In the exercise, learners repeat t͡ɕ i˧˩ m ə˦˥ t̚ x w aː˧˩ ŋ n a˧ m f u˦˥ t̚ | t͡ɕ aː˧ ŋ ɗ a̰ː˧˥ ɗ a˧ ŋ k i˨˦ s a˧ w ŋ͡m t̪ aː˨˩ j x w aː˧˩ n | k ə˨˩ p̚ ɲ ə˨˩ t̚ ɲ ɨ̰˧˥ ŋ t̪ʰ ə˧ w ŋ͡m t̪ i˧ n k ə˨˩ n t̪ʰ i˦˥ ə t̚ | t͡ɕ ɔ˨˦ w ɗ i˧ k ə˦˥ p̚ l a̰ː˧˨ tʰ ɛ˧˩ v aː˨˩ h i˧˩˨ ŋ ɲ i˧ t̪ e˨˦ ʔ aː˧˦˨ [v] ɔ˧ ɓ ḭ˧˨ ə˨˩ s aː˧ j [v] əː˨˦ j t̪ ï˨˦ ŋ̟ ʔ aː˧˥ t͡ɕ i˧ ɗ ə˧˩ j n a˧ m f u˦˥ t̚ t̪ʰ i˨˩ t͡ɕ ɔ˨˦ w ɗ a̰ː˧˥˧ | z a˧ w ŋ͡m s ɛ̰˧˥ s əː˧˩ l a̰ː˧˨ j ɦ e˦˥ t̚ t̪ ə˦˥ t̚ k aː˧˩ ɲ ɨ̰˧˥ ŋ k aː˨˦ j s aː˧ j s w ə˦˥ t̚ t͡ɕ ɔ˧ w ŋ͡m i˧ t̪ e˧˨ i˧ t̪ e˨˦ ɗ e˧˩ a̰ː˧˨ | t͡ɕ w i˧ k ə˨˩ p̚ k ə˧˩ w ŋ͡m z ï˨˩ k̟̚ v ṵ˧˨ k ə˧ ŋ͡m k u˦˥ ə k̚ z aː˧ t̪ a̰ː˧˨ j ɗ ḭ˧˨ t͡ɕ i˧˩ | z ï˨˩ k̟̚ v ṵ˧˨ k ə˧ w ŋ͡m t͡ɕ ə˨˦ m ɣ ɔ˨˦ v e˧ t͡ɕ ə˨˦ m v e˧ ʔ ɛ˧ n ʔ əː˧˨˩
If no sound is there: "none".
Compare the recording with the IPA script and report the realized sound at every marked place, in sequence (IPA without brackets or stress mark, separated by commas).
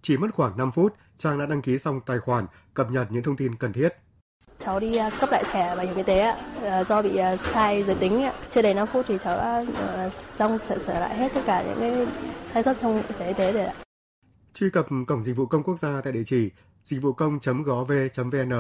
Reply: z, z